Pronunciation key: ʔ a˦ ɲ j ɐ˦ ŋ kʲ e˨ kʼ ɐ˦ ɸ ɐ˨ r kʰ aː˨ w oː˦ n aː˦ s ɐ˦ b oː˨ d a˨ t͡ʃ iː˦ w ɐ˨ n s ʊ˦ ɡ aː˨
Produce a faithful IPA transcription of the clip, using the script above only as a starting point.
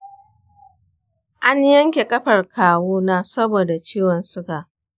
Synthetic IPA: ʔ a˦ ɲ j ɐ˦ ŋ kʲ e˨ kʼ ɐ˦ ɸ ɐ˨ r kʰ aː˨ w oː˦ n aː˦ s ɐ˦ b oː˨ d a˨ t͡ʃ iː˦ w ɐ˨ n s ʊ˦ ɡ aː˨